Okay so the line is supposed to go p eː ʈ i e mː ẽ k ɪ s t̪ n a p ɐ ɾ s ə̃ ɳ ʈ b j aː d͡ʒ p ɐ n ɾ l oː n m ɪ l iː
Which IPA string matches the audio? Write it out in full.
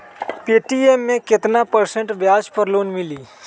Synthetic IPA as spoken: p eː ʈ i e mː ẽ k ɪ t̪ n a p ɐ ɾ s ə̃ ɳ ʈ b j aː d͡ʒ p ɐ ɾ l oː n m ɪ l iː